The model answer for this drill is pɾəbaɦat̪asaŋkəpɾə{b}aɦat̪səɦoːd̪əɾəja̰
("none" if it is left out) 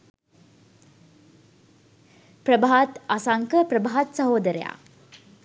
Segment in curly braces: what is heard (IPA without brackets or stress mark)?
b